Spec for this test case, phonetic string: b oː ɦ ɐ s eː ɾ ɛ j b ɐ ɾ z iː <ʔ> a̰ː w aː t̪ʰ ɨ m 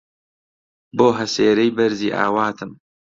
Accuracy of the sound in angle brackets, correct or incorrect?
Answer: correct